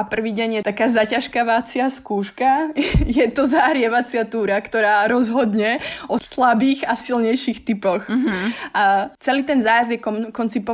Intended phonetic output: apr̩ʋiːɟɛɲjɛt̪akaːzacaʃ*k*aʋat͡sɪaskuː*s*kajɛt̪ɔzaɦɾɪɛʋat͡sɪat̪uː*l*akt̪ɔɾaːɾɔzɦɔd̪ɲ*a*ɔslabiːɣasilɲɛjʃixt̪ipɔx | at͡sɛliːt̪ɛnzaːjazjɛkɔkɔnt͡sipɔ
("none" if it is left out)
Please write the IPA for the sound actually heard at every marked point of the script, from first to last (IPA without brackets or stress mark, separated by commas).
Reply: k, ʃ, ɾ, ɛ